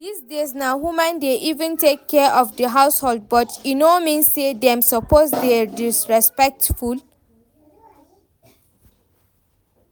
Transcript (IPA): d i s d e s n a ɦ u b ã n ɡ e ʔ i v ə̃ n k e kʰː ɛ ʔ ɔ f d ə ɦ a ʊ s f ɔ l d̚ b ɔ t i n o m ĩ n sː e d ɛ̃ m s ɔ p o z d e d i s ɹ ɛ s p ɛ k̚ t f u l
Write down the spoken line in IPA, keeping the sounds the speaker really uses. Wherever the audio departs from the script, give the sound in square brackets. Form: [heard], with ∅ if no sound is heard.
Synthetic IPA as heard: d i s d e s n a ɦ u [m] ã n [d] e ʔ i v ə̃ n [t] e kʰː ɛ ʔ ɔ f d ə ɦ a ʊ s [h] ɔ l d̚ b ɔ t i n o m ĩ n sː e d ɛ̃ m s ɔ p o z d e d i s ɹ ɛ s p ɛ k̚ t f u l